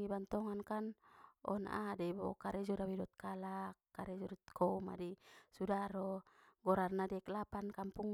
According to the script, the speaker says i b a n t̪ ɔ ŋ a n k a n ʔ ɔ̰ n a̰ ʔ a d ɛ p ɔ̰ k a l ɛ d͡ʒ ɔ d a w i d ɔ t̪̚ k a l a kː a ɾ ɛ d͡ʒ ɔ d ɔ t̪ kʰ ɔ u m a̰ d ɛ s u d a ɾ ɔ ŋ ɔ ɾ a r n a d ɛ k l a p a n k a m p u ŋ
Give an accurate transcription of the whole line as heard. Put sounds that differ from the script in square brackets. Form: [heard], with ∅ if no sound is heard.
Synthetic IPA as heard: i b a n t̪ ɔ ŋ a n k a n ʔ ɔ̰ n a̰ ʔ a d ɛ [b] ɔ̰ k a [ɾ] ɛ d͡ʒ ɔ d a w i d ɔ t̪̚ k a l a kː a ɾ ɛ d͡ʒ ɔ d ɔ t̪ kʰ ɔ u m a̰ d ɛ s u d a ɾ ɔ [ɡ] ɔ ɾ a r n a d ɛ k l a p a n k a m p u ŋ